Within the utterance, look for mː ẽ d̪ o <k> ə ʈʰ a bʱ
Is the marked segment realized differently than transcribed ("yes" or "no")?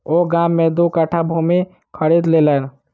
no